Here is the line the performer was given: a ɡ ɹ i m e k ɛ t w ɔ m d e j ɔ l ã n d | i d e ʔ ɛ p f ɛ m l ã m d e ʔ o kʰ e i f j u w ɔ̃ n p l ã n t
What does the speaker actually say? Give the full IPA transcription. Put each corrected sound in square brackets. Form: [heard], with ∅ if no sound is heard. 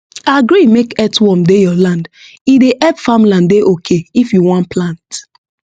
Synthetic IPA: a ɡ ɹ i m e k ɛ t w ɔ m d e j ɔ l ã n d | i d e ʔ ɛ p f [a] m l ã [n] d e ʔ o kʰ e i f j u w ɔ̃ n p l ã n t